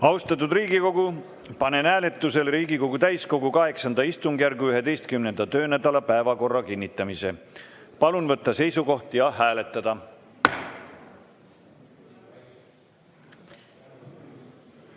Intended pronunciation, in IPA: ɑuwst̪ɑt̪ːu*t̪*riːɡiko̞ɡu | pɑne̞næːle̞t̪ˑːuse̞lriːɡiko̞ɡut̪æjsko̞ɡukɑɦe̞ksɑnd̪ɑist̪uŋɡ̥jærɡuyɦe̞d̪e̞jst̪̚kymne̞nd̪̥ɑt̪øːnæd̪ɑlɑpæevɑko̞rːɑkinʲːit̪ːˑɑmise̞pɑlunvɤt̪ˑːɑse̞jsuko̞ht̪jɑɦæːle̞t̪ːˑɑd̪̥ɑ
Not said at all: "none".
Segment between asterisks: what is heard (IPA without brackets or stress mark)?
d̪